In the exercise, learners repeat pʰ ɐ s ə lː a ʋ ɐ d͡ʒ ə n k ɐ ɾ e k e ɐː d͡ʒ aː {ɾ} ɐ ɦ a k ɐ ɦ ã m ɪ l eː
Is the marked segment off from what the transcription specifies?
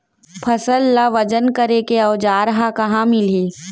no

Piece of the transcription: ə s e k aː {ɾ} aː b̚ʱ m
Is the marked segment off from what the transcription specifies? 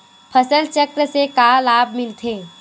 yes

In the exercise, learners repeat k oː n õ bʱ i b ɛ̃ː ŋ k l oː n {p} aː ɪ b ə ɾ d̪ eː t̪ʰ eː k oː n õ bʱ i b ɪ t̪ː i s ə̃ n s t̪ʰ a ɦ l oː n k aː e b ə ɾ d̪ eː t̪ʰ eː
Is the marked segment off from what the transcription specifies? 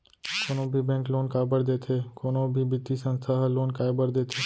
yes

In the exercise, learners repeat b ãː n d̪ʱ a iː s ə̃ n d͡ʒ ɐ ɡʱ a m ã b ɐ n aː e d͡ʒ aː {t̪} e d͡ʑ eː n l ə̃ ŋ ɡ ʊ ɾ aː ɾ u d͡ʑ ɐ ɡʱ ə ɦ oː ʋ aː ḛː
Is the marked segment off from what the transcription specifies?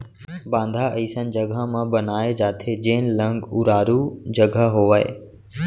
yes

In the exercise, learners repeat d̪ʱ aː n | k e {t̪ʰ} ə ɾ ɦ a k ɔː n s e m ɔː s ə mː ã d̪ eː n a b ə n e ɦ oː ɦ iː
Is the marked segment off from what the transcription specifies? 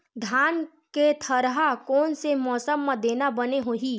no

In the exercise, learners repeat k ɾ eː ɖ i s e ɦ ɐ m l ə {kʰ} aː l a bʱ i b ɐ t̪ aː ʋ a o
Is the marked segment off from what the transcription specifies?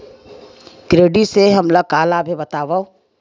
yes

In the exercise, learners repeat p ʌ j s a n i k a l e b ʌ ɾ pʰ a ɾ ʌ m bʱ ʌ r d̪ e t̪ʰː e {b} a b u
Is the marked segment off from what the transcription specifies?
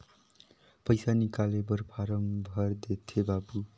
no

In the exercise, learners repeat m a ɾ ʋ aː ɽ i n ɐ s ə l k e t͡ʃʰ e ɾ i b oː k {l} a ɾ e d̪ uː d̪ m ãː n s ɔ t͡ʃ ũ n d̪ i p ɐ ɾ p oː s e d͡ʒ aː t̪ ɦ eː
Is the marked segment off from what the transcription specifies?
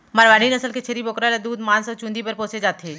yes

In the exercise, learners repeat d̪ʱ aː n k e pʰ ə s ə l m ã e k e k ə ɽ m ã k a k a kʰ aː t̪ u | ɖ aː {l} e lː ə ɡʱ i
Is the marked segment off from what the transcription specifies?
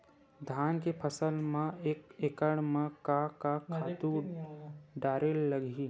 yes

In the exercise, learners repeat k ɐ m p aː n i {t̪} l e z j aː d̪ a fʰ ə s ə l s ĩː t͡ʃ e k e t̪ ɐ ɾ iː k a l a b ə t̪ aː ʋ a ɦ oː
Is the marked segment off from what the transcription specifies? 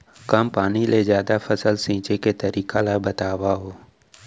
yes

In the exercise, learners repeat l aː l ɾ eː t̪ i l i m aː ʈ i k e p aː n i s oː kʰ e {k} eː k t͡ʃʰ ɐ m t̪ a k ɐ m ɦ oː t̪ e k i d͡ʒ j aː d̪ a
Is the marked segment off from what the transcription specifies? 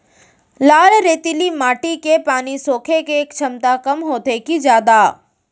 no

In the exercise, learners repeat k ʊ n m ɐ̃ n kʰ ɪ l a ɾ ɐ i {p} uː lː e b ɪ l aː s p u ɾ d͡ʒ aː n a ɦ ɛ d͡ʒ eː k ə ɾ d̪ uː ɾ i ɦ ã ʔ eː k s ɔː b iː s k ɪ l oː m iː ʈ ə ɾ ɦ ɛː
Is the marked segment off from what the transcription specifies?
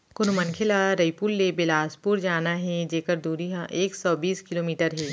no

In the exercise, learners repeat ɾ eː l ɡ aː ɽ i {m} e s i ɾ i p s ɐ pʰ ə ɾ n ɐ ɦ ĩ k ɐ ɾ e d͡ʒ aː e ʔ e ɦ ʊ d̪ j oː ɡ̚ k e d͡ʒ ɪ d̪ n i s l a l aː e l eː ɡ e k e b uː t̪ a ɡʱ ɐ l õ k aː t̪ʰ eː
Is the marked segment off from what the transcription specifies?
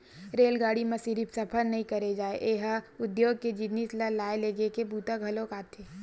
no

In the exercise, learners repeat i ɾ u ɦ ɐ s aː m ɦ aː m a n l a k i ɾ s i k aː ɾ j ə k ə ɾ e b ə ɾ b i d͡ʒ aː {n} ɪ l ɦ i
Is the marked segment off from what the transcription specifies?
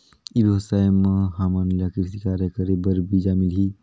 yes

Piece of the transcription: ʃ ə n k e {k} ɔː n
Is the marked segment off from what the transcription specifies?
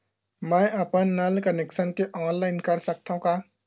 yes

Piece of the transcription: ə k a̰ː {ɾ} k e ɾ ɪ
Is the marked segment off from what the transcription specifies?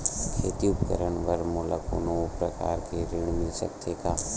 no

